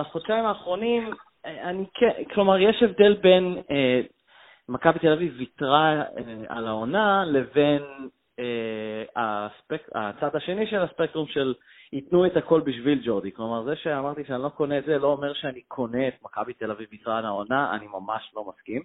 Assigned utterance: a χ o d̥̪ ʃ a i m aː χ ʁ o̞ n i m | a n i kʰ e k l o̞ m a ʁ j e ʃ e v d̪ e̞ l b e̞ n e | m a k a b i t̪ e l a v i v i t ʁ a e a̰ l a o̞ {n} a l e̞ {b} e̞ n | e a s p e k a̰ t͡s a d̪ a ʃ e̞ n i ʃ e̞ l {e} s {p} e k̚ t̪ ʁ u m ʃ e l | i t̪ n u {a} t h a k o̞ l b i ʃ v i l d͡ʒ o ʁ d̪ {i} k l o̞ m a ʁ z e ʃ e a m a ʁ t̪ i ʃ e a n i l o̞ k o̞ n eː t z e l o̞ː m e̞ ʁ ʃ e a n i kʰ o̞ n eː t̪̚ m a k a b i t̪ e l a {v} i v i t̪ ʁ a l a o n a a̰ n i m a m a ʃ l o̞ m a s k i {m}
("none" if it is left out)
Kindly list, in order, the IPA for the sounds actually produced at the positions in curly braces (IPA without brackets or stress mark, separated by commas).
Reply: n, v, a, p, e, i, v, m